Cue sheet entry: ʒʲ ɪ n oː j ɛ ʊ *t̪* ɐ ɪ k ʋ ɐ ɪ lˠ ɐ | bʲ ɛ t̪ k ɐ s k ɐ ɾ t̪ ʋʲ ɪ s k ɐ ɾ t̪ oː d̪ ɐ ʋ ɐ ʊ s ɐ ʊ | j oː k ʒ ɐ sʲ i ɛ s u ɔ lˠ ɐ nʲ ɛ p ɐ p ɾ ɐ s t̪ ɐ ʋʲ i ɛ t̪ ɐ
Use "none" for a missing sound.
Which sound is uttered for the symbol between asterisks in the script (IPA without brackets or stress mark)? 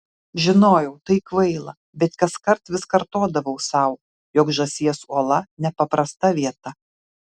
t̪